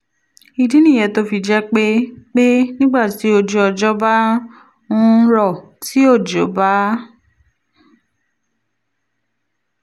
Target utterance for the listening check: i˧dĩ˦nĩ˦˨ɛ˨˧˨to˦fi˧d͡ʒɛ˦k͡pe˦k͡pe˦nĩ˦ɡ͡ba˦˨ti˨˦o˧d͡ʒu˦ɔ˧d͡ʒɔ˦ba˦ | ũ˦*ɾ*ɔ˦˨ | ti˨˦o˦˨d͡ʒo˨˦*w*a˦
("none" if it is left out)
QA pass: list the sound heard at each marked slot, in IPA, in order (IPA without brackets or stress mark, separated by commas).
ɾ, b